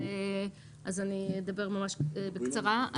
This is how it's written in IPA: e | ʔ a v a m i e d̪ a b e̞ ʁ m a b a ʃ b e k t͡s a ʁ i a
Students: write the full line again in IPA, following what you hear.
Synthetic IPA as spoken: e | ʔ a z a n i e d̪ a b e̞ ʁ m a m a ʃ b e k t͡s a ʁ a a